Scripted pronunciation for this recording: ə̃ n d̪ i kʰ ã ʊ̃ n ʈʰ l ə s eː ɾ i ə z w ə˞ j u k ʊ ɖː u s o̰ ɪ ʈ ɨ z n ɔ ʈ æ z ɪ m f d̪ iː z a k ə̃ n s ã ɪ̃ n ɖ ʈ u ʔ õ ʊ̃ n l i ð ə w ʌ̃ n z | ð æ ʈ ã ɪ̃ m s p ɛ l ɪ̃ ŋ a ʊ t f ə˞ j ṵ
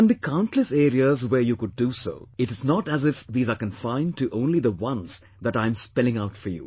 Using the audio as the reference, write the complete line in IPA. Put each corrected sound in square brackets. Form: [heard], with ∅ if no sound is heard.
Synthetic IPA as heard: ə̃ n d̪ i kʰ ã ʊ̃ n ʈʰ l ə s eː ɾ i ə z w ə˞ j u k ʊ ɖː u s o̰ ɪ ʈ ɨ z n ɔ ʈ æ z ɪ [∅] f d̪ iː z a k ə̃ n [f] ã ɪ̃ n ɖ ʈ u ʔ õ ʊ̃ n l i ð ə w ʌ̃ n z | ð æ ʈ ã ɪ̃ m s p ɛ l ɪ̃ ŋ a ʊ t f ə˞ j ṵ